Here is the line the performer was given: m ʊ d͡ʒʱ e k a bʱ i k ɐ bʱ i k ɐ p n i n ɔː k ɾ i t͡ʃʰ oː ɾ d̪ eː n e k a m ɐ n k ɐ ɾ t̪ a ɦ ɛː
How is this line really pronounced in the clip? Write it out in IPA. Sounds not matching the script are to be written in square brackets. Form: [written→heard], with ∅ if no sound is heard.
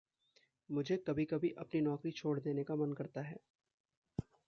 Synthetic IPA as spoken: m ʊ d͡ʒʱ e k [a→ɐ] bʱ i k ɐ bʱ i [k→ʔ] ɐ p n i n ɔː k ɾ i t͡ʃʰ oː [ɾ→ɽ] d̪ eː n e k a m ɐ n k ɐ ɾ t̪ a ɦ ɛː

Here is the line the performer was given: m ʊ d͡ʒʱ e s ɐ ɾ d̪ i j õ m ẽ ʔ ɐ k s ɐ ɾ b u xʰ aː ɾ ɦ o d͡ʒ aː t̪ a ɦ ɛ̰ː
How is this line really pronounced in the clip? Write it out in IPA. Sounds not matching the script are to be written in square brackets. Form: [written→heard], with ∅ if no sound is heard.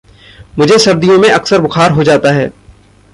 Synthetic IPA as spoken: m ʊ d͡ʒʱ e s ɐ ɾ d̪ i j õ m ẽ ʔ ɐ k s [ɐ→ə] ɾ b [u→ʊ] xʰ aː ɾ ɦ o d͡ʒ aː t̪ a ɦ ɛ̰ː

